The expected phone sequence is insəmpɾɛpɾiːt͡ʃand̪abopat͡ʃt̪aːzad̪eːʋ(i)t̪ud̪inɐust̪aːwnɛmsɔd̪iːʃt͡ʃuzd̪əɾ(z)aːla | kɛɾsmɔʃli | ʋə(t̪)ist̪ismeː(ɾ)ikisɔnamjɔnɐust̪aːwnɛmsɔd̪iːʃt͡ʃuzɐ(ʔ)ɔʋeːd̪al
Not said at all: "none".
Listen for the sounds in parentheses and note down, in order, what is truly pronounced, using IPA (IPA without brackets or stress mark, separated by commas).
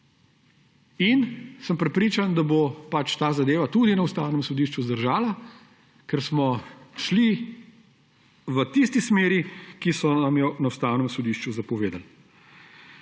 a, ʒ, t̪, ɾ, p